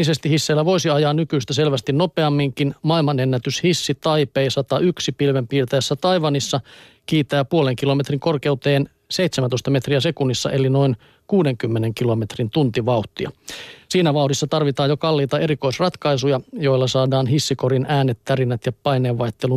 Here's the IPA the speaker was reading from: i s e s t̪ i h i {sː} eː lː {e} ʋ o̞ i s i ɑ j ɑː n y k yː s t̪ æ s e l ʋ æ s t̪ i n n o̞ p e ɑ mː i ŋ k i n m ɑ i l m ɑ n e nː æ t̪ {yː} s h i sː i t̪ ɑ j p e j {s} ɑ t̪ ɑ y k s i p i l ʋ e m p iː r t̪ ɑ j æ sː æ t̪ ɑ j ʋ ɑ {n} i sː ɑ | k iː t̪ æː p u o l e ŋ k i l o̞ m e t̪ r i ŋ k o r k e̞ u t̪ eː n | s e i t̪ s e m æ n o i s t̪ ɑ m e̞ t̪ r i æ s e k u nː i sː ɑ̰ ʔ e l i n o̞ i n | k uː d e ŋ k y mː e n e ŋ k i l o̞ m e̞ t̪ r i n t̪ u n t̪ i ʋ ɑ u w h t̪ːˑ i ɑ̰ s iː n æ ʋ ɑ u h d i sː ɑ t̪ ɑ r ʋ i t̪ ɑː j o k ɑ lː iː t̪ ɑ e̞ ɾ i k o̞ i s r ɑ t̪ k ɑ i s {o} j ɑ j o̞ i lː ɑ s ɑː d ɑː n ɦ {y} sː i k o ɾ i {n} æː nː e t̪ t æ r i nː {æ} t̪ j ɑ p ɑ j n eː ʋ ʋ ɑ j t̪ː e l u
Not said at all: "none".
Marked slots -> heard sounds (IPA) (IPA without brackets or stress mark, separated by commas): sː, æ, y, s, n, u, i, n, æ